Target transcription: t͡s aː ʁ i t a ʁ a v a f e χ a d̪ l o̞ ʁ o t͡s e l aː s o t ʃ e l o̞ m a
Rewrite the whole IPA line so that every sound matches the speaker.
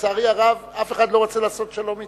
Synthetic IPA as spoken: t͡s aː ʁ i a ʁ a v a f e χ a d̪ l o̞ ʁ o t͡s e l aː s o t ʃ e l o̞ m i